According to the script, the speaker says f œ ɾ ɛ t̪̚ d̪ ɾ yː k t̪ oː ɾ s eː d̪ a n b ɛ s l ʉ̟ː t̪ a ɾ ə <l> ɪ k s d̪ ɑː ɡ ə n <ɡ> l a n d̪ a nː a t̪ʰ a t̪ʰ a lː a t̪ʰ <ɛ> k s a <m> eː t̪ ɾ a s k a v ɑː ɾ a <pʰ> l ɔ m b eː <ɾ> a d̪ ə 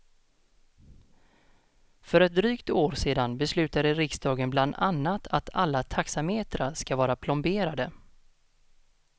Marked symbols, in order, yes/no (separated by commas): no, no, no, yes, yes, yes